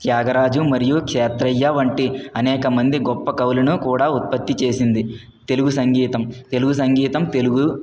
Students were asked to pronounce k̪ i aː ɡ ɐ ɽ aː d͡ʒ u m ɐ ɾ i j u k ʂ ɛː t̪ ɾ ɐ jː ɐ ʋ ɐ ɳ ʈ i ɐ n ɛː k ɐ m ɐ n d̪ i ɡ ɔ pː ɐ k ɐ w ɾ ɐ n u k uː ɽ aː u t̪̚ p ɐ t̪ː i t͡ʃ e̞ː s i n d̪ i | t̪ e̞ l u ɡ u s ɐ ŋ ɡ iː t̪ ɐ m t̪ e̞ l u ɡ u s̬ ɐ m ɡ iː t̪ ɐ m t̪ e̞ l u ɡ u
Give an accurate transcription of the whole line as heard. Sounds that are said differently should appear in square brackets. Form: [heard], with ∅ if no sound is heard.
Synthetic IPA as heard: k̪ [j] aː ɡ ɐ [ɾ] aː d͡ʒ u m ɐ ɾ i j u k ʂ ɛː t̪ ɾ ɐ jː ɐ ʋ ɐ ɳ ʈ i ɐ n ɛː k ɐ m ɐ n d̪ i ɡ ɔ pː ɐ k ɐ w [l] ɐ n u k uː ɽ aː u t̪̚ p ɐ t̪ː i t͡ʃ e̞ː s i n d̪ i | t̪ e̞ l u ɡ u s ɐ ŋ ɡ iː t̪ ɐ m t̪ e̞ l u ɡ u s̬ ɐ [ŋ] ɡ iː t̪ ɐ m t̪ e̞ l u ɡ u